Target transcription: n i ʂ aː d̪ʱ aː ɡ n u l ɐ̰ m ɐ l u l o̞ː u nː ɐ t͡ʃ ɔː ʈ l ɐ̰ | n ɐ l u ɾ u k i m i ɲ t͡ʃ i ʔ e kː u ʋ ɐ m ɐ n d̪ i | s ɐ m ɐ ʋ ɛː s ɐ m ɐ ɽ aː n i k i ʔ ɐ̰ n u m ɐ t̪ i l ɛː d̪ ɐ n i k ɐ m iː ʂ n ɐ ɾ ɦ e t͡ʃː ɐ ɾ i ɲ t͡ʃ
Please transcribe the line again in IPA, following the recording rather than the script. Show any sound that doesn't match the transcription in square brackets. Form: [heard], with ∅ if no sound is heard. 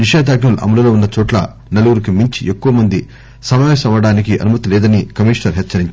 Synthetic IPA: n i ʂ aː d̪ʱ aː ɡ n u l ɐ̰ m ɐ l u l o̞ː u nː ɐ t͡ʃ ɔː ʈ l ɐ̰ | n ɐ l u ɾ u k i m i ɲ t͡ʃ i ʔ e kː u ʋ ɐ m ɐ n d̪ i | s ɐ m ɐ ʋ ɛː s ɐ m ɐ ɽ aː n i k i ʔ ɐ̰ n u m ɐ t̪ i l ɛː d̪ ɐ n i k ɐ m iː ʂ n ɐ ɾ ɦ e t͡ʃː ɐ ɾ i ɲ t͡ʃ